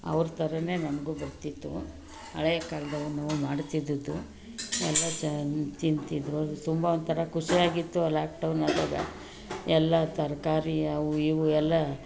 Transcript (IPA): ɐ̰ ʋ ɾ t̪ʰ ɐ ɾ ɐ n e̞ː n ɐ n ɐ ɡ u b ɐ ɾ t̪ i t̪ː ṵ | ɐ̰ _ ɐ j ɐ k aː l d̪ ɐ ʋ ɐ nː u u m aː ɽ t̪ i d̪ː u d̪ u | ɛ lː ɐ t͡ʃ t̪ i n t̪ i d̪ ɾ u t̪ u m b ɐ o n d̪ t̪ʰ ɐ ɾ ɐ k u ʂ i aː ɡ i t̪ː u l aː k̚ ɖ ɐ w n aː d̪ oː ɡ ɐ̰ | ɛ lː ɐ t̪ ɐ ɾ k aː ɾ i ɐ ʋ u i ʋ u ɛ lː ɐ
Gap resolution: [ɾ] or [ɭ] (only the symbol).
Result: ɭ